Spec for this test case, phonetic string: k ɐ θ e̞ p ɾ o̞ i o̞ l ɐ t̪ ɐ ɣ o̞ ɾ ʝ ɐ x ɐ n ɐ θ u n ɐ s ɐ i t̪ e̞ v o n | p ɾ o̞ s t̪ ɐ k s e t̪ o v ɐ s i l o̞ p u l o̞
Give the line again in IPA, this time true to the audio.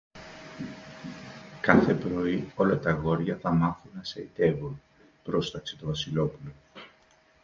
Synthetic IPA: k ɐ θ e̞ p ɾ o̞ i o̞ l ɐ t̪ ɐ ɣ o̞ ɾ ʝ ɐ θ ɐ m ɐ θ u n ɐ s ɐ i t̪ e̞ v u n | p ɾ o̞ s t̪ ɐ k s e t̪ o v ɐ s i l o̞ p u l o̞